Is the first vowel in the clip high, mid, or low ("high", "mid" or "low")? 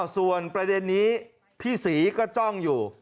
high